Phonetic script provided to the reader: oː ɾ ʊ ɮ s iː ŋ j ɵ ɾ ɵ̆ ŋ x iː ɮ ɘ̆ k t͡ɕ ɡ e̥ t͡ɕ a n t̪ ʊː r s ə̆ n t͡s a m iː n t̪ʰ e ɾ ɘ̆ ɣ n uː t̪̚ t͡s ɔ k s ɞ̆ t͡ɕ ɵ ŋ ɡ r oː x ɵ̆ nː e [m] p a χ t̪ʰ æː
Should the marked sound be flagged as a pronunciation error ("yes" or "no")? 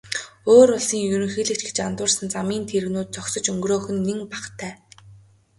yes